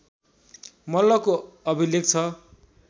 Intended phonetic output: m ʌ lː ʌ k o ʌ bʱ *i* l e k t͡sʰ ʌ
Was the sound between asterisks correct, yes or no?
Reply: yes